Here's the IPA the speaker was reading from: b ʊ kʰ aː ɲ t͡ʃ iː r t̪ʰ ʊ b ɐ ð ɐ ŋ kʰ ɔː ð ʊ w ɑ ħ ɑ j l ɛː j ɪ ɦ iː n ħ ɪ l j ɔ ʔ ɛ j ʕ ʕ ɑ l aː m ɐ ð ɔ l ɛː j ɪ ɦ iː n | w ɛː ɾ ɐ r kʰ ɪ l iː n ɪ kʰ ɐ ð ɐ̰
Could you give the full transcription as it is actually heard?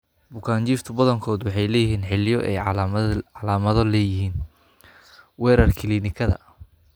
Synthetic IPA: b ʊ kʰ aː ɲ t͡ʃ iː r t̪ʰ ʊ b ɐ ð ɐ ŋ kʰ ɔː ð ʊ w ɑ ħ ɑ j l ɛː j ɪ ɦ iː n ħ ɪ l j ɔ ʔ ɛ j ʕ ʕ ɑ l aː m ɐ ð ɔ l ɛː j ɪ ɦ iː n | w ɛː ɾ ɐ r kʰ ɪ l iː n ɪ kʰ ɐ ð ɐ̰

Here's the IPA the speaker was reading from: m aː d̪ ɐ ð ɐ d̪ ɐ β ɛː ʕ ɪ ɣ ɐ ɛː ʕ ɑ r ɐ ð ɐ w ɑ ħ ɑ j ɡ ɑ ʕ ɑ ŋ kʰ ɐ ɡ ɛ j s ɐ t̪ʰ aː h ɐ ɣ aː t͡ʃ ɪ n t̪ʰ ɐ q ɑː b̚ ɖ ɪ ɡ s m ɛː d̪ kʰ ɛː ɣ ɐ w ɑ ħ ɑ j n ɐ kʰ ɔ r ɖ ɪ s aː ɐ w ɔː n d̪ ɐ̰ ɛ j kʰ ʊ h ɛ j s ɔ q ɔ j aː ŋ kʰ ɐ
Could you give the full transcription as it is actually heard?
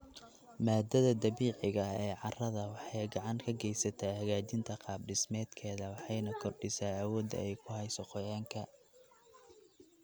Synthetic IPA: m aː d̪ ɐ ð ɐ d̪ ɐ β iː ʕ ɪ ɣ ɐ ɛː ʕ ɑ r ɐ ð ɐ w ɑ ħ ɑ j ɡ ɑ ʕ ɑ ŋ kʰ ɐ ɡ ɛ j s ɐ t̪ʰ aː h ɐ ɣ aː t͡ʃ ɪ n t̪ʰ ɐ q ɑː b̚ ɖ ɪ s m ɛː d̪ kʰ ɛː ð ɐ w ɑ ħ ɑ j n ɐ kʰ ɔ r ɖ ɪ s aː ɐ w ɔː d̪ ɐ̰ ɛ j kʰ ʊ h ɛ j s ɔ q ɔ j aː ŋ kʰ ɐ

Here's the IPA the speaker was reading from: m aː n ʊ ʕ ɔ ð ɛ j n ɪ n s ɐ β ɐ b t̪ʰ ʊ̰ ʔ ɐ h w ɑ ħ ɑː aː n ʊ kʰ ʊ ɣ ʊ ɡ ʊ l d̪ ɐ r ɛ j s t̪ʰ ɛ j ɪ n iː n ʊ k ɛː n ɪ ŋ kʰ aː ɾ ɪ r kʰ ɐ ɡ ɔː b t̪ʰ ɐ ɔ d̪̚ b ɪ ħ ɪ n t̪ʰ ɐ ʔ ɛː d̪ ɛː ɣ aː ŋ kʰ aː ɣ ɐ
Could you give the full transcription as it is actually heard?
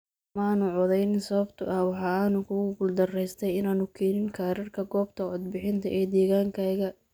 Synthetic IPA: m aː n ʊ ʕ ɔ ð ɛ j n ɪ n s ɐ β ɐ b t̪ʰ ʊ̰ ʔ ɐ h w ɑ ħ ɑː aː n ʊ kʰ ʊ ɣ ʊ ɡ ʊ l d̪ ɐ r ɛ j s t̪ʰ ɛ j ɪ n aː n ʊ kʰ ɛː n ɪ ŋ kʰ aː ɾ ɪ r kʰ ɐ ɡ ɔː b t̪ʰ ɐ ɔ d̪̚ b ɪ ħ ɪ n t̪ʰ ɐ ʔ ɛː d̪ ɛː ɣ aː ŋ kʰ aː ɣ ɐ

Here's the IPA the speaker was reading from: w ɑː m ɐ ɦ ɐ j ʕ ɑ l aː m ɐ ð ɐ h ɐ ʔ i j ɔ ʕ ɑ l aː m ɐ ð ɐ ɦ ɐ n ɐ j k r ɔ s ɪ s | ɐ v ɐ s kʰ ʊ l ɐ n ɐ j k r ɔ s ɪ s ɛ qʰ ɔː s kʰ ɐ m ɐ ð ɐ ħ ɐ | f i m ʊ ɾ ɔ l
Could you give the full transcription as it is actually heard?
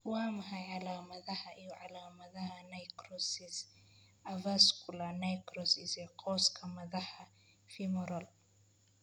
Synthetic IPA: w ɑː m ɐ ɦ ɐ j ʕ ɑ l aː m ɐ ð ɐ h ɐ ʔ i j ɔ ʕ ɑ l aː m ɐ ð ɐ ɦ ɐ n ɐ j k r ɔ s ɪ s | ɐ v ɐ s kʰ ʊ l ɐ n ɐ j k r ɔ s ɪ s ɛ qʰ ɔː s kʰ ɐ m ɐ ð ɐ ħ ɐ | f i m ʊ ɾ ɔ l

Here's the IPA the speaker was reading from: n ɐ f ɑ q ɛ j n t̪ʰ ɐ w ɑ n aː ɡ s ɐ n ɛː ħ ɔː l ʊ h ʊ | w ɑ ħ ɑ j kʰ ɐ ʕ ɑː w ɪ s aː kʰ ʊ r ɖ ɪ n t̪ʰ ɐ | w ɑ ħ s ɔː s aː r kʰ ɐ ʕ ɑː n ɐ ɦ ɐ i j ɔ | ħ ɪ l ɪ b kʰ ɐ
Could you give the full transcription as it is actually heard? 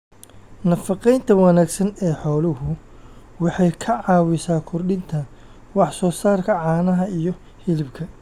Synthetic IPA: n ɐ f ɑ q ɛ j n t̪ʰ ɐ w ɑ n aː ɡ s ɐ n ɛː ħ ɔː l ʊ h ʊ | w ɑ ħ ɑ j kʰ ɐ ʕ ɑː w ɪ s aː kʰ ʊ r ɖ ɪ n t̪ʰ ɐ | w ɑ ħ s ɔː s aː r kʰ ɐ ʕ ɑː n ɐ ɦ ɐ i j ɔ | h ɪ l ɪ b kʰ ɐ

